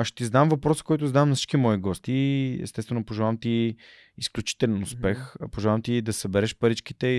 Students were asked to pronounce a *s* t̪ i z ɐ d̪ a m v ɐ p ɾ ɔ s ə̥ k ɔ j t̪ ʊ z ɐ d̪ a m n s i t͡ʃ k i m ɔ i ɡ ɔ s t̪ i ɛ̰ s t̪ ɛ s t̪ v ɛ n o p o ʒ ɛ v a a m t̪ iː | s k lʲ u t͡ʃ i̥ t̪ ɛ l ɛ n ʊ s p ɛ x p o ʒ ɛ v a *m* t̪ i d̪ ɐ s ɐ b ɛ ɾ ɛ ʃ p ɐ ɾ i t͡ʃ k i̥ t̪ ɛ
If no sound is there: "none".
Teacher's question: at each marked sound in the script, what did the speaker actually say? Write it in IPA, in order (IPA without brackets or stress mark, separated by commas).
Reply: ʃ, m